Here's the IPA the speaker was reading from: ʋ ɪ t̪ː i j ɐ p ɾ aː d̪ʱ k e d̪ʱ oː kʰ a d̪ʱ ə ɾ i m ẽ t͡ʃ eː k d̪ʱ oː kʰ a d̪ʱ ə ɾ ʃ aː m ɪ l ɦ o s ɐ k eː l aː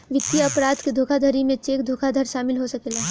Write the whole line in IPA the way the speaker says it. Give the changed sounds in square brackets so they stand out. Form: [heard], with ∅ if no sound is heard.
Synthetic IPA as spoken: ʋ ɪ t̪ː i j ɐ p ɾ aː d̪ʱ k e d̪ʱ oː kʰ a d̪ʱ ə ɾ i m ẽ t͡ʃ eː k d̪ʱ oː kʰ a d̪ʱ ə ɾ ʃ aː m ɪ l ɦ o s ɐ k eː l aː